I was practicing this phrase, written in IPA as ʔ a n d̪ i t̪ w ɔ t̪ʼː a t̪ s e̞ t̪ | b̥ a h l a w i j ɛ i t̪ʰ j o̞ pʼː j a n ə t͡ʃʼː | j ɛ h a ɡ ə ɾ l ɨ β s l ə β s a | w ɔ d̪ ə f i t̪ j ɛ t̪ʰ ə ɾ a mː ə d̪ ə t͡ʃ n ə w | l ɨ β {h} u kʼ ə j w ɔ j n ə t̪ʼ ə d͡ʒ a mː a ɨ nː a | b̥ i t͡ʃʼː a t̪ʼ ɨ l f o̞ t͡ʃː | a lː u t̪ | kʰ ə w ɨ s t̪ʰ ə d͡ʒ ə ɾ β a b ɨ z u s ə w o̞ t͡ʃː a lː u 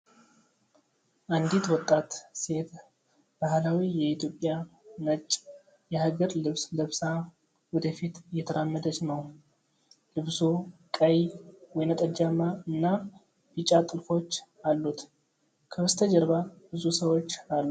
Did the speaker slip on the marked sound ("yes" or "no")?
yes